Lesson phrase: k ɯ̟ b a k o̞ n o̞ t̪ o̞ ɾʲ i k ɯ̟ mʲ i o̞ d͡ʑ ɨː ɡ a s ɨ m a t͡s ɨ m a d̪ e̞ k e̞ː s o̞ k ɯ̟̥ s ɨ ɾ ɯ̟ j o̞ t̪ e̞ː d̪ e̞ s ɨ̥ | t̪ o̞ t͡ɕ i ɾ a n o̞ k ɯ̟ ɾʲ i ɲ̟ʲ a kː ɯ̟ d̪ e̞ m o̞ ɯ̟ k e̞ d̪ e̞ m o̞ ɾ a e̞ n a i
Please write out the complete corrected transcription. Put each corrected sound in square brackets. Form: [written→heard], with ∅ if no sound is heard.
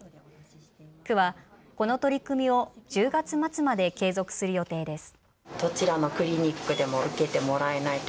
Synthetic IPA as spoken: k ɯ̟ [b→β] a k o̞ n o̞ t̪ o̞ ɾʲ i k ɯ̟ mʲ i o̞ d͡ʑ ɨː ɡ a [s→t͡s] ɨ m a t͡s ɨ m a d̪ e̞ k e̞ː [s→z] o̞ k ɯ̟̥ s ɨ ɾ ɯ̟ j o̞ t̪ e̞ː d̪ e̞ s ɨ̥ | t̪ o̞ t͡ɕ i ɾ a n o̞ k ɯ̟ ɾʲ i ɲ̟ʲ [a→i] kː ɯ̟ d̪ e̞ m o̞ ɯ̟ k e̞ [d̪→t̪] e̞ m o̞ ɾ a e̞ n a i